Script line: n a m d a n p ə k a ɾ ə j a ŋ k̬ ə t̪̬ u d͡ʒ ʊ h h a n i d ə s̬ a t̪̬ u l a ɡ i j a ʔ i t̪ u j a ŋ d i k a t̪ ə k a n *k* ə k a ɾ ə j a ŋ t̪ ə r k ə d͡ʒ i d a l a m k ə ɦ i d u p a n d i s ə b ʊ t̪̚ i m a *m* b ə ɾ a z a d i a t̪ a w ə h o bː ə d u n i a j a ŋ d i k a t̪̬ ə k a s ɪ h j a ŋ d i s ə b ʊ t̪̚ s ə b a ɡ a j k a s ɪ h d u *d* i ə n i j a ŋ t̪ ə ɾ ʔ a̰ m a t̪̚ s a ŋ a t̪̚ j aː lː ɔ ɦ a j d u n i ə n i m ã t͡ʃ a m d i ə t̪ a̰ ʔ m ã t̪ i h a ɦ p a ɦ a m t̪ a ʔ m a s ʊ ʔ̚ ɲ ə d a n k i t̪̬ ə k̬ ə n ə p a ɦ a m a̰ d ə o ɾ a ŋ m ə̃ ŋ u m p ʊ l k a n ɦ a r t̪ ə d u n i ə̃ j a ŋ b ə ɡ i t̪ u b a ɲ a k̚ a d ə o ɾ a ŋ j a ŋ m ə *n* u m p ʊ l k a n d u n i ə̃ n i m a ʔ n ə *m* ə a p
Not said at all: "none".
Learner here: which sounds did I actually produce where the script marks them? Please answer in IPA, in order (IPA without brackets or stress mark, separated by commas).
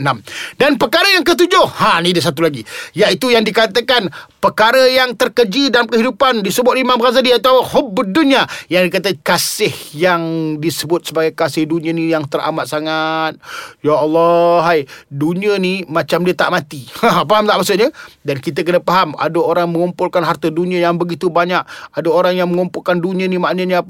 p, m, n, ŋ, ɲ